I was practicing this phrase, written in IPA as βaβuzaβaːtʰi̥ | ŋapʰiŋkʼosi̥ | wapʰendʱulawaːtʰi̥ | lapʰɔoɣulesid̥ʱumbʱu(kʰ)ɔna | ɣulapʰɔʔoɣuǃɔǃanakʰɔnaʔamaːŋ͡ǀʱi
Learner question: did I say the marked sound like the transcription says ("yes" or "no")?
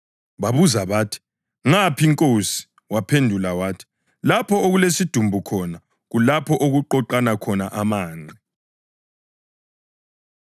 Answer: yes